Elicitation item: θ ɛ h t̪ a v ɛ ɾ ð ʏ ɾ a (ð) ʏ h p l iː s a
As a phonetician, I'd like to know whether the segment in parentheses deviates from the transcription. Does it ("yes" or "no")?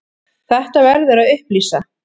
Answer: no